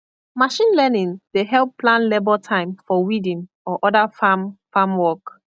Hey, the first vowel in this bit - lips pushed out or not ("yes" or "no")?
no